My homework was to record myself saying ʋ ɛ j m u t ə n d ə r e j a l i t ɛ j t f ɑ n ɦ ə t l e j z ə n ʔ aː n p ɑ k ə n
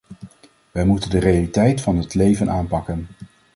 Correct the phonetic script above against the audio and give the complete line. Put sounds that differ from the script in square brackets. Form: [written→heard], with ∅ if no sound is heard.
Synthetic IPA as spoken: ʋ ɛ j m u t ə n d ə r e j a l i t ɛ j t f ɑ n ɦ ə t l e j [z→v] ə n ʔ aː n p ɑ k ə n